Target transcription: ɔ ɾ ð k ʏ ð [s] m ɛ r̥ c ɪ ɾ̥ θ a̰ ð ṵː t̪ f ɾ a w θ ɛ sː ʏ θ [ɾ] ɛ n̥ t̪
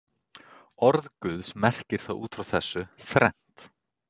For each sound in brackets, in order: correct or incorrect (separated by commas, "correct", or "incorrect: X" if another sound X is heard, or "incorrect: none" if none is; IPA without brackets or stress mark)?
correct, correct